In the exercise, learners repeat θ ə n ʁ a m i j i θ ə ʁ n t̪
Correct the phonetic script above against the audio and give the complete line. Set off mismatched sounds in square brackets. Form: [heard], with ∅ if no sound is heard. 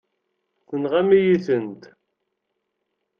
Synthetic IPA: θ ə n ʁ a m i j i θ ə [∅] n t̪